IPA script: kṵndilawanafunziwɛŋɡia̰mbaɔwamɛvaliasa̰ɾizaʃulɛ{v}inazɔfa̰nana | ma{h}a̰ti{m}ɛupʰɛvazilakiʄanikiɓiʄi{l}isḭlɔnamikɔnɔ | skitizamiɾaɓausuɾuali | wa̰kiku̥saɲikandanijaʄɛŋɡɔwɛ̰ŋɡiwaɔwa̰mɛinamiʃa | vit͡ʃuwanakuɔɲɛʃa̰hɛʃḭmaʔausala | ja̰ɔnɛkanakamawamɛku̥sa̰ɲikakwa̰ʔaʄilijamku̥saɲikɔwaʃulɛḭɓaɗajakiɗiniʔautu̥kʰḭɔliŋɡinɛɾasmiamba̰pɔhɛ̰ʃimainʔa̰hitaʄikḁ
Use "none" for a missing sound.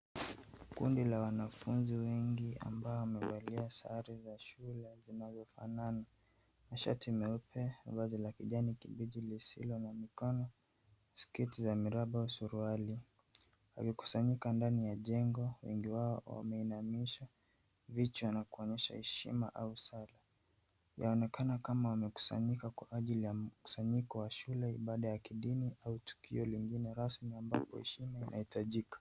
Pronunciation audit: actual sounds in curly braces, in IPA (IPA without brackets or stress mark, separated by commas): z, ʃ, m, l